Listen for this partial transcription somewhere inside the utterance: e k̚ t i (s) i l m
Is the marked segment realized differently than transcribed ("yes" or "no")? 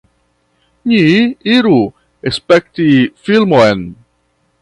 yes